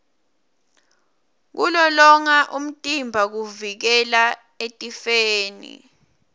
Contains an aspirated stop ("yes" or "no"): no